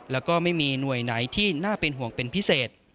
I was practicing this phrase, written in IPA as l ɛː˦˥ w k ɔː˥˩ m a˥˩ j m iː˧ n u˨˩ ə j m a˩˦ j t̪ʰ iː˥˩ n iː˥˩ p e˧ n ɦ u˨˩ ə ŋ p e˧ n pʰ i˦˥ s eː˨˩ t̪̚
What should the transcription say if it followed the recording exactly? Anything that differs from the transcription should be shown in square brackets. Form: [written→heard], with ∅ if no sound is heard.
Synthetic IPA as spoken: l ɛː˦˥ w k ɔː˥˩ m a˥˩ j m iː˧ n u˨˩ ə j [m→n] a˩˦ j t̪ʰ iː˥˩ n [iː˥˩→aː˥˩] p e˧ n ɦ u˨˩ ə ŋ p e˧ n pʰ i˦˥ s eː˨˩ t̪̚